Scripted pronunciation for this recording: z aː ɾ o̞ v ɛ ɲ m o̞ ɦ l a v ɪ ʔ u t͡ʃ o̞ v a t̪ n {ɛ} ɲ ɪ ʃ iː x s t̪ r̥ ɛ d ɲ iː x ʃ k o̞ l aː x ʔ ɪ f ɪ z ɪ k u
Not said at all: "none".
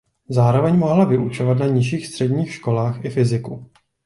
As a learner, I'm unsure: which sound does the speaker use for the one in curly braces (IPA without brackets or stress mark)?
a